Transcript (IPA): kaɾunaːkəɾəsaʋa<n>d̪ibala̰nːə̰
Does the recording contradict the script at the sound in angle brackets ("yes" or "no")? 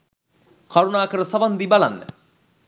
no